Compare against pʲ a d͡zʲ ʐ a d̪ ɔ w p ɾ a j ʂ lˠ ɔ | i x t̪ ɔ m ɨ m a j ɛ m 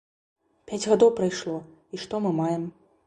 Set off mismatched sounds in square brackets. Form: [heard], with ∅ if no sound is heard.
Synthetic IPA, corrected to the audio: pʲ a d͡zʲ [ɣ] a d̪ ɔ w p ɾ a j ʂ lˠ ɔ | i [ʂ] t̪ ɔ m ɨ m a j ɛ m